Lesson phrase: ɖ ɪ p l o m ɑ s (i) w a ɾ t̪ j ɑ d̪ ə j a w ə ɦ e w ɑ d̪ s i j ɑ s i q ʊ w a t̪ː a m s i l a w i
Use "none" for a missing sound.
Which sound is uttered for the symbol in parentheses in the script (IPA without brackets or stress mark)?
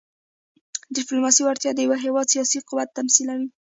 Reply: i